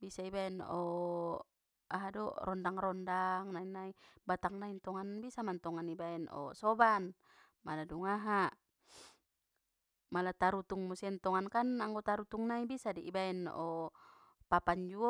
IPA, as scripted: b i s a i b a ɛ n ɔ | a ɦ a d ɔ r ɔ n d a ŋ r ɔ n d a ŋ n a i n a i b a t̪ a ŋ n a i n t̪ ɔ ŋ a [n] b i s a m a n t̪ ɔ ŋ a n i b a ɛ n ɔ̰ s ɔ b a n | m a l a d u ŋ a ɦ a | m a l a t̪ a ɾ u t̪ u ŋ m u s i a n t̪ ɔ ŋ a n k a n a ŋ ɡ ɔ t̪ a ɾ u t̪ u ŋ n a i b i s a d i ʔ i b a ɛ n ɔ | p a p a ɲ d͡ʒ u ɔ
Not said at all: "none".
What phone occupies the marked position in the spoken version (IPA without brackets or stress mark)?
n